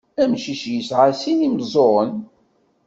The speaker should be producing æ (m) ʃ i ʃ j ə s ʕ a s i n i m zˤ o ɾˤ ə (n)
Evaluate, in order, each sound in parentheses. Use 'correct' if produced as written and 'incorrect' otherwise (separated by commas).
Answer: correct, correct